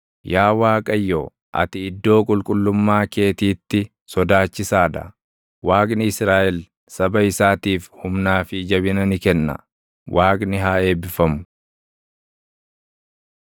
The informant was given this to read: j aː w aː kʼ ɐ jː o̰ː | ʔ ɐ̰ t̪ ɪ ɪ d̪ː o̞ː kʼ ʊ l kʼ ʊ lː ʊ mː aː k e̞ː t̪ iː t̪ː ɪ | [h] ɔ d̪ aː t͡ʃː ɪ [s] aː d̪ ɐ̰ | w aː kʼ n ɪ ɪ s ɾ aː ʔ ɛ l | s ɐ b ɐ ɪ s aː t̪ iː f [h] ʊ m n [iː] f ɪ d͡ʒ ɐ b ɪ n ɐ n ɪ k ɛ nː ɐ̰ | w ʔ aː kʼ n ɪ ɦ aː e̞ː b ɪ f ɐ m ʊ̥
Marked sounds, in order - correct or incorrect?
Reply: incorrect: s, correct, correct, incorrect: aː

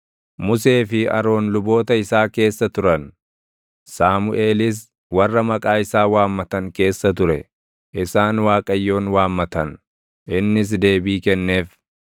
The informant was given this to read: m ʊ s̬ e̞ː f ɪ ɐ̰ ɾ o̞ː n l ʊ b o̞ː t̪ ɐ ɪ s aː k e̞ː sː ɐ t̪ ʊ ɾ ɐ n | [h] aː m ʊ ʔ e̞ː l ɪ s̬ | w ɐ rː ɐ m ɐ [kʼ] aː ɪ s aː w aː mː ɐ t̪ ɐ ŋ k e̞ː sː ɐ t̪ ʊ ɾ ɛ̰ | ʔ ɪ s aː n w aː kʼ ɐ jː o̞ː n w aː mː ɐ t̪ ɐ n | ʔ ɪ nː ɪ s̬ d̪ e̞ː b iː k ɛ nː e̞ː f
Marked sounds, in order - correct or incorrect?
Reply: incorrect: s, correct

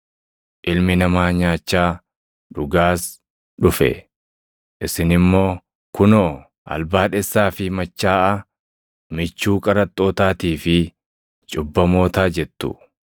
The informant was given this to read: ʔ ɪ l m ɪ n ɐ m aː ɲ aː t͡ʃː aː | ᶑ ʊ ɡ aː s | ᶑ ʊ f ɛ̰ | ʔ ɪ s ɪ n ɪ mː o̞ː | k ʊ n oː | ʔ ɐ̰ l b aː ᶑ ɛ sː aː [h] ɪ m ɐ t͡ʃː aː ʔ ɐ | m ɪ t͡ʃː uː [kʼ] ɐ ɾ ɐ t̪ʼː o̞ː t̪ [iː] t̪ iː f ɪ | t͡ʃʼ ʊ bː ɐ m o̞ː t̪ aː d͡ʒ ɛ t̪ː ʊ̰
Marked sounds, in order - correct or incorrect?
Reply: incorrect: f, correct, incorrect: aː

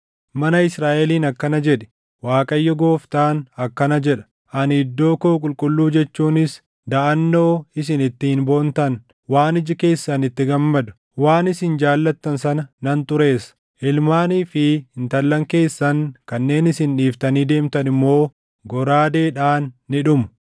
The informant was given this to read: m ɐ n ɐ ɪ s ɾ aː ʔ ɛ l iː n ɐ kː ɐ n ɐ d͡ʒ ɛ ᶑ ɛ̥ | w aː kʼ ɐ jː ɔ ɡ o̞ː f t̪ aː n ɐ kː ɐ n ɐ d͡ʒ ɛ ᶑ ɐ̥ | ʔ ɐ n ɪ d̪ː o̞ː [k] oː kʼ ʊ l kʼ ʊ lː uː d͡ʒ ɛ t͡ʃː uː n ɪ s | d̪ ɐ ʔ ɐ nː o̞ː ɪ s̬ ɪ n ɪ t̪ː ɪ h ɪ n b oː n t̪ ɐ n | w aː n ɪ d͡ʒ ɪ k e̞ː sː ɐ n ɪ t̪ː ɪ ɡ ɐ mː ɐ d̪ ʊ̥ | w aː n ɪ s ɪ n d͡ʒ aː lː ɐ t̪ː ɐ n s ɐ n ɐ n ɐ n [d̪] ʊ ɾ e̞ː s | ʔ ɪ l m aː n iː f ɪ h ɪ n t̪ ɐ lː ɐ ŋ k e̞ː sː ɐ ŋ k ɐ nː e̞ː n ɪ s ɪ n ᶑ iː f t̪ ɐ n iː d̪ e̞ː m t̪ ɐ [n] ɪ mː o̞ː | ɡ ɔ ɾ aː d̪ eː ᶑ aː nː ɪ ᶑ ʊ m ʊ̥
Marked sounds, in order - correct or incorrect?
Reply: correct, incorrect: t̪, correct

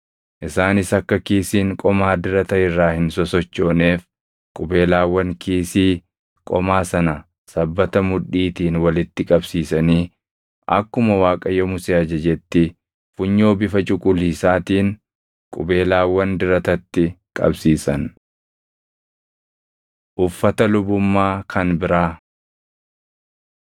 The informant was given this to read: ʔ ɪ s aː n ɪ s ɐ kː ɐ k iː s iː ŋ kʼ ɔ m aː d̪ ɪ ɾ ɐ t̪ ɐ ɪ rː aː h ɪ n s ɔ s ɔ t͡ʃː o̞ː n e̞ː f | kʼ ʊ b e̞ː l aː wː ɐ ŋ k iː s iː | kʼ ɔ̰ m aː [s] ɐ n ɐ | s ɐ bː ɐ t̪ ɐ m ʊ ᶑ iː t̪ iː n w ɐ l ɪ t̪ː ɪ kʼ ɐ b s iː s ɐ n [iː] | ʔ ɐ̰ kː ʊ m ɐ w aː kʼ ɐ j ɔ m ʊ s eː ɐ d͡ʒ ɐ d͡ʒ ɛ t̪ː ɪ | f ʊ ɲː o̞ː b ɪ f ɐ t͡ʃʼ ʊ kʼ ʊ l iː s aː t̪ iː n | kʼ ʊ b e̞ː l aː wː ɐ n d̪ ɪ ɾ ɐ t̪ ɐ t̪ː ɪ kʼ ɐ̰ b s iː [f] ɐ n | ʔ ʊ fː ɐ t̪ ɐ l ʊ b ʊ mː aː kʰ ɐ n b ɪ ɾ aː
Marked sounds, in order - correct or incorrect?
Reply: correct, correct, incorrect: s

